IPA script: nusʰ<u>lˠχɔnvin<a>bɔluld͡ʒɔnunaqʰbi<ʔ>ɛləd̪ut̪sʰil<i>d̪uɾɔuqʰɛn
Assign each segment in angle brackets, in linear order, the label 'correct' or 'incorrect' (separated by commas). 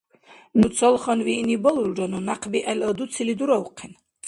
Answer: incorrect, incorrect, correct, correct